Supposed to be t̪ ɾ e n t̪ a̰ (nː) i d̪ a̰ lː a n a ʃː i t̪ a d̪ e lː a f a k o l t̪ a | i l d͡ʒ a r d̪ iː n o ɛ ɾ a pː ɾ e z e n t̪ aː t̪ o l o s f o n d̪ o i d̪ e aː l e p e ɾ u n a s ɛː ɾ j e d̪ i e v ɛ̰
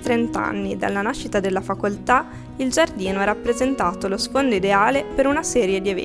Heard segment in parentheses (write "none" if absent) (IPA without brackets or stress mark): nː